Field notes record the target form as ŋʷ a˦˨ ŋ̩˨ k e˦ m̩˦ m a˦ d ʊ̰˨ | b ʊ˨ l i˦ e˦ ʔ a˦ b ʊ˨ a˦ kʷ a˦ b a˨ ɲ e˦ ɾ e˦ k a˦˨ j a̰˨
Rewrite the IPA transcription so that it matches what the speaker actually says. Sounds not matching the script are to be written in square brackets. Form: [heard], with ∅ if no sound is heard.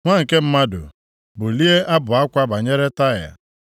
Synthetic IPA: ŋʷ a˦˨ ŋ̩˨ k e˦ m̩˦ m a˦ d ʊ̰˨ | b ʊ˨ l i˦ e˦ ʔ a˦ b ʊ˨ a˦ kʷ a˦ b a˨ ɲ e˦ ɾ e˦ [t] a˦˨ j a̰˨